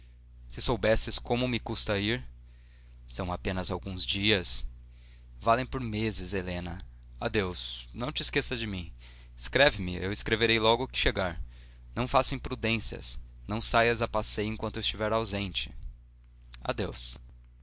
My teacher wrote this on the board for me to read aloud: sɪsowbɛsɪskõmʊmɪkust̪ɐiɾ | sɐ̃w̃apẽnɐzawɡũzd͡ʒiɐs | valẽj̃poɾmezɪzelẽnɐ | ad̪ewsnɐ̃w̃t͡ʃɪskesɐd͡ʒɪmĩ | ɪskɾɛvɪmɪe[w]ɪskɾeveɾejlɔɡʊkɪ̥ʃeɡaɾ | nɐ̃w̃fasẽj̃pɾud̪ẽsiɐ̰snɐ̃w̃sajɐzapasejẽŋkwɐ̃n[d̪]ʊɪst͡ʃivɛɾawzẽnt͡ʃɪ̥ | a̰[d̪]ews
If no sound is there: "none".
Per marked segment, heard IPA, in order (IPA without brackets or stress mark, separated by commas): w, t̪, d̪